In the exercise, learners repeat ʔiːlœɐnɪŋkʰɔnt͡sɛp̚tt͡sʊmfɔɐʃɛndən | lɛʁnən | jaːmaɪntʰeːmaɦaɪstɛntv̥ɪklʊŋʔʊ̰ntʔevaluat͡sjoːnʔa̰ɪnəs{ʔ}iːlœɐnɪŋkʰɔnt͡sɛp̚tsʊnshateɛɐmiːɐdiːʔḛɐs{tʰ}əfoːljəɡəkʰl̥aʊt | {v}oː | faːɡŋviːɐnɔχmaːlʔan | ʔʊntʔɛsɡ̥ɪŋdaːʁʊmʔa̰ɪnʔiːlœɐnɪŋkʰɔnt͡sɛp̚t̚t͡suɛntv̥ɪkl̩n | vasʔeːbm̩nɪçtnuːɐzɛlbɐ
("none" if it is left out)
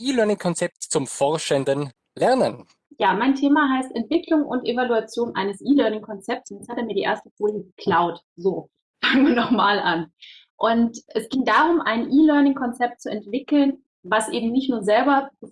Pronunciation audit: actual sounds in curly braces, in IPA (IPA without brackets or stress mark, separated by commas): ʔ, t, z